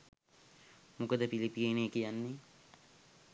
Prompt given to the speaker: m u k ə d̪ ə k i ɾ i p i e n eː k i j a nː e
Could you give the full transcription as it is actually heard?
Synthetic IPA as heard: m u k ə d̪ ə p i l i p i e n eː k i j a nː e